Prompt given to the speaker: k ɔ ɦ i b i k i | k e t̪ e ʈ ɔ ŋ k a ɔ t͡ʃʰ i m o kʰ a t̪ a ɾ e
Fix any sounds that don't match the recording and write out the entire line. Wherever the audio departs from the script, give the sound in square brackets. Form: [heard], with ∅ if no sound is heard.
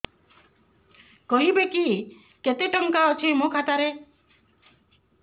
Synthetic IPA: k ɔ ɦ i b [e] k i | k e t̪ e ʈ ɔ ŋ k a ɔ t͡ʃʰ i m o kʰ a t̪ a ɾ e